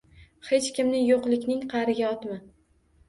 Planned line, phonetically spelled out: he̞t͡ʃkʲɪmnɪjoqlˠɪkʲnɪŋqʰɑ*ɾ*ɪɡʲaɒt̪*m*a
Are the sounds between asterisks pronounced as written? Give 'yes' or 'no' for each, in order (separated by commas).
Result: yes, yes